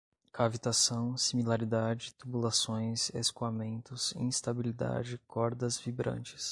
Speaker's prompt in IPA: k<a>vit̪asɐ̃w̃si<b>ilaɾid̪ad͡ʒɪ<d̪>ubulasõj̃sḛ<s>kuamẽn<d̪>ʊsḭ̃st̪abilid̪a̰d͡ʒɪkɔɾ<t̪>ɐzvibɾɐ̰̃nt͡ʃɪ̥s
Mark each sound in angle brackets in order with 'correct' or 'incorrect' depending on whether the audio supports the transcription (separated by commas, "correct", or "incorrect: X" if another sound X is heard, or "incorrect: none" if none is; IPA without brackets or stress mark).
correct, incorrect: m, incorrect: t̪, correct, incorrect: t̪, incorrect: d̪